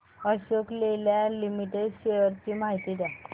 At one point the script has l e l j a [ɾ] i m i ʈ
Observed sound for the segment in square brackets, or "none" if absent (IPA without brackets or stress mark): l